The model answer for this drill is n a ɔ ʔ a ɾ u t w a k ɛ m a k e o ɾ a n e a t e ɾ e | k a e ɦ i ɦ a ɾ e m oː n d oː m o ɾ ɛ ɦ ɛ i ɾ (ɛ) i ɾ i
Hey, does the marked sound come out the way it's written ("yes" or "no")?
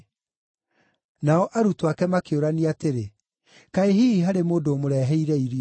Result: yes